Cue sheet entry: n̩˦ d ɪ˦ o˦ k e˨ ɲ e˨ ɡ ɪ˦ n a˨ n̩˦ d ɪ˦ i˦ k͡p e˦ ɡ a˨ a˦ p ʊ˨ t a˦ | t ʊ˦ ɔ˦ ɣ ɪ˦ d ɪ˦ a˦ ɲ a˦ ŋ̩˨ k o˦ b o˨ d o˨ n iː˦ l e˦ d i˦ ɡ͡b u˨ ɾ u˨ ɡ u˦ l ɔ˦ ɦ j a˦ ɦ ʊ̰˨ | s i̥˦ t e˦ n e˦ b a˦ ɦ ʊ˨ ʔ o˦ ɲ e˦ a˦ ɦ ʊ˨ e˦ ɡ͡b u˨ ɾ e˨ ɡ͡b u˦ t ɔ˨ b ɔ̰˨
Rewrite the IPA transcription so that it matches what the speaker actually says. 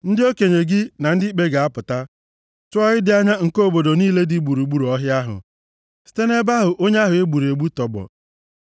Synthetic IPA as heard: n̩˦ d ɪ˦ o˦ k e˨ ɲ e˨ ɡ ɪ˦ n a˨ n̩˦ d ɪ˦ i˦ k͡p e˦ ɡ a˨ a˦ p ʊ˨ t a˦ | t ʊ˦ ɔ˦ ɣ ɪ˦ d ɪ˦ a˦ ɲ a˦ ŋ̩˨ k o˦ b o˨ d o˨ n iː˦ l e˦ d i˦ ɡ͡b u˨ ɾ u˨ ɡ͡b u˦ ɾ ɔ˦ ɦ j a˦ ɦ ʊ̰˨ | s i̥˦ t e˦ n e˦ b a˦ ɦ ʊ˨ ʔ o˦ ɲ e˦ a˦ ɦ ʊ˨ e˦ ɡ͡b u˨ ɾ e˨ ɡ͡b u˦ t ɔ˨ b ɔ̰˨